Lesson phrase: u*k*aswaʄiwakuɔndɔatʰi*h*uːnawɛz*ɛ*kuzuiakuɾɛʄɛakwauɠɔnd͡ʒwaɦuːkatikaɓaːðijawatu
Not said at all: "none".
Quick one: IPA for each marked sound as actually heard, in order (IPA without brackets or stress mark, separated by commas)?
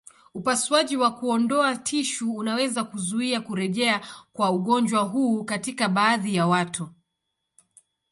p, ʃ, a